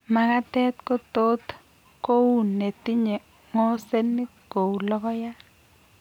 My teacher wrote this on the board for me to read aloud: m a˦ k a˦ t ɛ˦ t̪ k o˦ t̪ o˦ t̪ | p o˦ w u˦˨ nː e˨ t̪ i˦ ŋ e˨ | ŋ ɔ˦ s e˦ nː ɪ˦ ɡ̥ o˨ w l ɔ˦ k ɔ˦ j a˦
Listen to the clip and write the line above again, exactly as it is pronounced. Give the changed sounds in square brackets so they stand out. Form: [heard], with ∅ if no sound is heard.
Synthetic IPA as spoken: m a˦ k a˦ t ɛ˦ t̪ k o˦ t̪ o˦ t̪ | [k] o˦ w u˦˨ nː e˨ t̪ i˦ [ɲ] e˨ | ŋ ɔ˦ s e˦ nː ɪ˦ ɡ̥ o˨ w l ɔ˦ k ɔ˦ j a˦